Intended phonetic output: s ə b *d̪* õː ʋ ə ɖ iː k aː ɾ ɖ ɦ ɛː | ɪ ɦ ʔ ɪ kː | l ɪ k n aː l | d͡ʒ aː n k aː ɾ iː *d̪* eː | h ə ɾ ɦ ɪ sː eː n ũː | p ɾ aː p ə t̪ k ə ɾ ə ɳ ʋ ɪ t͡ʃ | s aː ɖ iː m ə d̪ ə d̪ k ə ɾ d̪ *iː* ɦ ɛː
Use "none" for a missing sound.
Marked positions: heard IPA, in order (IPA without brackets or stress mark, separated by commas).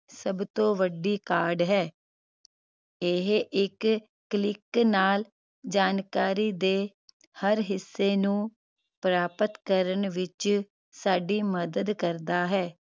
t̪, d̪, aː